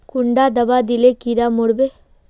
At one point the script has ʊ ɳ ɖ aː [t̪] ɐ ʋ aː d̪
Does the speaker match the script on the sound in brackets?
no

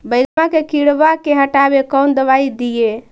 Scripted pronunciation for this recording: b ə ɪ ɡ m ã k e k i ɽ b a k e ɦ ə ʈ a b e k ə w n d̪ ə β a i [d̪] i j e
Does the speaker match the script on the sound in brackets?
yes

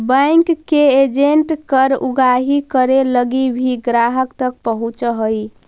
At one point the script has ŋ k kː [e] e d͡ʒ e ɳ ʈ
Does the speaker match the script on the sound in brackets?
yes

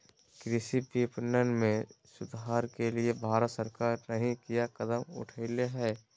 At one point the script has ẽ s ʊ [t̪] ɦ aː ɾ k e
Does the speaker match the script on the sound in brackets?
no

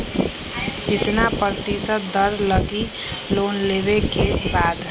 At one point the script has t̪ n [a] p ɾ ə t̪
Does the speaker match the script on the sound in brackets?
yes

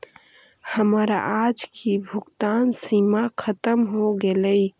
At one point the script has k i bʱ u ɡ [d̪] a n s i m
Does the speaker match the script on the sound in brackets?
no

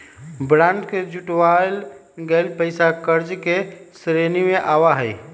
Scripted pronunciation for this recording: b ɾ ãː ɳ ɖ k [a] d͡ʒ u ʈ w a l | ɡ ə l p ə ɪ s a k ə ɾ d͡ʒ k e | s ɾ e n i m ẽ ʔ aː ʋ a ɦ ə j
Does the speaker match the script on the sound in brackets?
no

